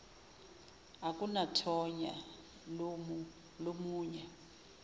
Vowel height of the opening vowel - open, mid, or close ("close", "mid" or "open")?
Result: open